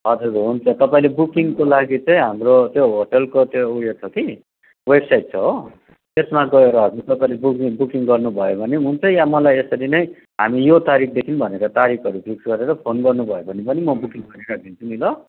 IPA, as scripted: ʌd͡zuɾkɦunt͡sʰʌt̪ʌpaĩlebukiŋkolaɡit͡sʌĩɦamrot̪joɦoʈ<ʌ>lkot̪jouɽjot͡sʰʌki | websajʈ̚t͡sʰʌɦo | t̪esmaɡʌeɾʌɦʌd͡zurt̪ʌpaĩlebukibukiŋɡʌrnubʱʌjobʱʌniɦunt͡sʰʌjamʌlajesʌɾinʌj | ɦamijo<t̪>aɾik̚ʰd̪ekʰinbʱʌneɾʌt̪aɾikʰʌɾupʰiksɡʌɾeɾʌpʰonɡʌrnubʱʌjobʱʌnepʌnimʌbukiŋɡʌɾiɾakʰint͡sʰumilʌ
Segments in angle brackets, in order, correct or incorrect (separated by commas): correct, correct